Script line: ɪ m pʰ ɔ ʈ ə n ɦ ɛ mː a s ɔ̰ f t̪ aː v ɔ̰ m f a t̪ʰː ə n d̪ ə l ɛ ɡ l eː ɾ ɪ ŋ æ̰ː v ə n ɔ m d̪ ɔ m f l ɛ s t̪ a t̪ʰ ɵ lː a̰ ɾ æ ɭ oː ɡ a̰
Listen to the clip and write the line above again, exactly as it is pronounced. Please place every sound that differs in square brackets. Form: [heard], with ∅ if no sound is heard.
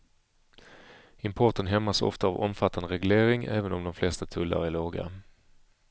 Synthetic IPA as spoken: ɪ m pʰ ɔ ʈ ə n ɦ ɛ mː a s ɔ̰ f t̪ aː v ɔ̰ m f a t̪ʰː [a] n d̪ ə [ɾ] ɛ ɡ l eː ɾ ɪ ŋ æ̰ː v ə n ɔ m d̪ ɔ m f l ɛ s t̪ a t̪ʰ ɵ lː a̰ ɾ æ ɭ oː ɡ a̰